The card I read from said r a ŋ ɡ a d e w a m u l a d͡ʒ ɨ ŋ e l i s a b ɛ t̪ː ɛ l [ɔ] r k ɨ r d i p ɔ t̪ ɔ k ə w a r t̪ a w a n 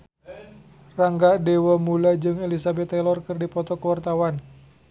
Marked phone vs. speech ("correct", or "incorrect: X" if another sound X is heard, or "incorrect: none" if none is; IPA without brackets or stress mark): correct